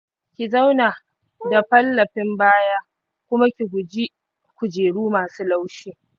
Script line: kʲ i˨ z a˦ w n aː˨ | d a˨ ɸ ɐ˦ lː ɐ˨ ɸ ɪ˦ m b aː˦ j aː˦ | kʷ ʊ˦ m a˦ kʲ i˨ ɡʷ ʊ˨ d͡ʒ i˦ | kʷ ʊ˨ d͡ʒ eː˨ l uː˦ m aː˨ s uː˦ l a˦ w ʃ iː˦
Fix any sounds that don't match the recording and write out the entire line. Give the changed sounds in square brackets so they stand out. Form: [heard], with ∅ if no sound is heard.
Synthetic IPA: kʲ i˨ z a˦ w n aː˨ | d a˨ ɸ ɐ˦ lː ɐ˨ ɸ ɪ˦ m b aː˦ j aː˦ | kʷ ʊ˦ m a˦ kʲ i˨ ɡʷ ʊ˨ d͡ʒ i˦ | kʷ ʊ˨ d͡ʒ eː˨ [ɽ] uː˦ m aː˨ s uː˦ l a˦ w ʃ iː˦

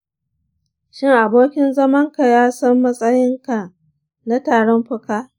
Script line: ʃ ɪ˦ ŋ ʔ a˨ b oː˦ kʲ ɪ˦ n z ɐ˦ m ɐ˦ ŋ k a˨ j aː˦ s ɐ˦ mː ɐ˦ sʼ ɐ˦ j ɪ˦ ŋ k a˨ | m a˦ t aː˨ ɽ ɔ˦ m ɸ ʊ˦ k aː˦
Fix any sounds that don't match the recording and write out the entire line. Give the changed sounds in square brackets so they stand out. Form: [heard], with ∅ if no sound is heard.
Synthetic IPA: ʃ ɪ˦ ŋ ʔ a˨ b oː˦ kʲ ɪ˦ n z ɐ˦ m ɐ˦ ŋ k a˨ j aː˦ s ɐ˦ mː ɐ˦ sʼ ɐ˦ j ɪ˦ ŋ k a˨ | [n] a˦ t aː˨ ɽ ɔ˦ m ɸ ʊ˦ k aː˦

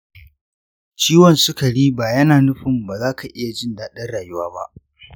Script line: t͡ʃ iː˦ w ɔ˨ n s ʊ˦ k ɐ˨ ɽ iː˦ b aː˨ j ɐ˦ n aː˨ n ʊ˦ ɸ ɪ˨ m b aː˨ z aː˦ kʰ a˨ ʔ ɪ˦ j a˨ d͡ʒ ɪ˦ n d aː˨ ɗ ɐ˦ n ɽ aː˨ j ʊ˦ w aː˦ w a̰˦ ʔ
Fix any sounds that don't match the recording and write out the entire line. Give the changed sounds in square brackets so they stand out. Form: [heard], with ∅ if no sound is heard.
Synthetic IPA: t͡ʃ iː˦ w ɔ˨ n s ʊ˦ k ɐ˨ ɽ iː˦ b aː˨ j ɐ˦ n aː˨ n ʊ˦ ɸ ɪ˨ m b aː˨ z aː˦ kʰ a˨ ʔ ɪ˦ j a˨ d͡ʒ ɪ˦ n d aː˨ ɗ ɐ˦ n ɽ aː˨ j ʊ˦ w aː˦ [b] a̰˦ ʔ

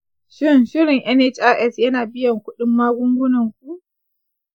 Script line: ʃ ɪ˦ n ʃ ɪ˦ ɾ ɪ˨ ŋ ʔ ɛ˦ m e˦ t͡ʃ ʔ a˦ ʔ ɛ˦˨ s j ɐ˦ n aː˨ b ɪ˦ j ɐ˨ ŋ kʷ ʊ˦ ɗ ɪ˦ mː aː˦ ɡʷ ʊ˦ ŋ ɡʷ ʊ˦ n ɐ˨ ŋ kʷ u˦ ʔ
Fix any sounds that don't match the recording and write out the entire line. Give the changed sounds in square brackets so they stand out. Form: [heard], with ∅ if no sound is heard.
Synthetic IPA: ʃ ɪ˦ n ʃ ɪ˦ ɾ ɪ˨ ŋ ʔ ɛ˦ [n] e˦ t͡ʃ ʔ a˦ ʔ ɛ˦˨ s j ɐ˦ n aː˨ b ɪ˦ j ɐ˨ ŋ kʷ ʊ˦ ɗ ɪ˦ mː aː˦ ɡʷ ʊ˦ ŋ ɡʷ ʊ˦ n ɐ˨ ŋ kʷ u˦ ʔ

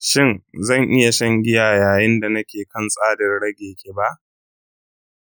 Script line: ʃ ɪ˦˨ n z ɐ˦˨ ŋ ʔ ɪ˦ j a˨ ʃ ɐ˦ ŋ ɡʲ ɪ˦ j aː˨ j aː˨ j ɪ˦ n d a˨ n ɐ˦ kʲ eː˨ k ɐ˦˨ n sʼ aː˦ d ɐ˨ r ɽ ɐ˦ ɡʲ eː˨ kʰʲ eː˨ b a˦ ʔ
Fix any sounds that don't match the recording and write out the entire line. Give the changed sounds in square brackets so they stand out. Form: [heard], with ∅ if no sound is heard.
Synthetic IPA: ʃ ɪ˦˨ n z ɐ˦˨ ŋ ʔ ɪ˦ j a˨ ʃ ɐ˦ ŋ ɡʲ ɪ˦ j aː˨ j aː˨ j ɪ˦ n d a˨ n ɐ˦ kʲ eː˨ k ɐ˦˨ n sʼ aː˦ d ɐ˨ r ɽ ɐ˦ ɡʲ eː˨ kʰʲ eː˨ b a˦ ʔ

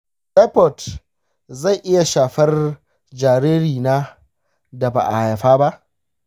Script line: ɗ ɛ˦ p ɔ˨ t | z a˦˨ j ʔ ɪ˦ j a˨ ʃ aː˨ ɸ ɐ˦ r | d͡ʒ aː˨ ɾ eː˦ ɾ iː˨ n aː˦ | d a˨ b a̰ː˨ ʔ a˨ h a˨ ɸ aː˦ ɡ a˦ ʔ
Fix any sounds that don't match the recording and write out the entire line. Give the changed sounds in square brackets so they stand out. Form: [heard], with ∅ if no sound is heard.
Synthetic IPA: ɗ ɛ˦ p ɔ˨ t | z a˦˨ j ʔ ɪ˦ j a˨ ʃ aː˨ ɸ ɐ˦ r | d͡ʒ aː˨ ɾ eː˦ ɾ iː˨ n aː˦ | d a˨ b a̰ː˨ ʔ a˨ h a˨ ɸ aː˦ [b] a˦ ʔ

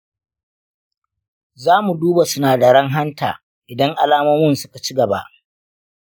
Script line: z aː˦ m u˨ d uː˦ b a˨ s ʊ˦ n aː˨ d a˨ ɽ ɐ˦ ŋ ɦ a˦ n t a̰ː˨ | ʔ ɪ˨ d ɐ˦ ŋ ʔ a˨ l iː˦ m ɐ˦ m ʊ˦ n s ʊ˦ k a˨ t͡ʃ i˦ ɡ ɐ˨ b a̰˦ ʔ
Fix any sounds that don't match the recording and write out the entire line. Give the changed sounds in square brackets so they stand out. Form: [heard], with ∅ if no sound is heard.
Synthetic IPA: z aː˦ m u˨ d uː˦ b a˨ s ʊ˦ n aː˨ d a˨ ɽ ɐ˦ ŋ ɦ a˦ n t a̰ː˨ | ʔ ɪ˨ d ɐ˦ ŋ ʔ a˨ l [aː˦] m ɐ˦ m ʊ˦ n s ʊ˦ k a˨ t͡ʃ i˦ ɡ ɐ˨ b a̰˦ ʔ

